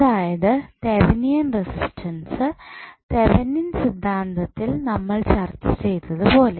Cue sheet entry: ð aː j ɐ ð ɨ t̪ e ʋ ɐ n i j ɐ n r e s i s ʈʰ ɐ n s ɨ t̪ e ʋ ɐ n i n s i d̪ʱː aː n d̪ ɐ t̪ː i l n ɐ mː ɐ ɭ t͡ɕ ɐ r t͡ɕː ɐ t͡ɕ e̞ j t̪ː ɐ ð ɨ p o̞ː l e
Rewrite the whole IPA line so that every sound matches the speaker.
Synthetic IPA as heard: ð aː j ɐ ð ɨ t̪ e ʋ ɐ n i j ɐ n r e s i s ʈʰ ɐ n s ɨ t̪ e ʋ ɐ n i n s i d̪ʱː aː n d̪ ɐ t̪ː i l n ɐ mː ɐ ɭ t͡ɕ ɐ r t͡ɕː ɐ t͡ɕ e̞ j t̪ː ɐ ð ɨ p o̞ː l e